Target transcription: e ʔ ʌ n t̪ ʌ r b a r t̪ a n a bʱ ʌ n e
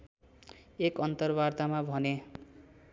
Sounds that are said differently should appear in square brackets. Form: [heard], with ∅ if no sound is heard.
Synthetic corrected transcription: e [k] ʌ n t̪ ʌ r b a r t̪ a [m] a bʱ ʌ n e